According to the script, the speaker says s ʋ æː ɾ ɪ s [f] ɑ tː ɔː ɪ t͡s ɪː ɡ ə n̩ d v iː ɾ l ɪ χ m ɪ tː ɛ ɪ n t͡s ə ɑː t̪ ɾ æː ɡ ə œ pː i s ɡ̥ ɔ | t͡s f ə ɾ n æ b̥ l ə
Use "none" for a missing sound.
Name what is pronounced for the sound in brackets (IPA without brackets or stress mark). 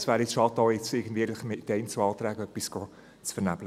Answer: ʃ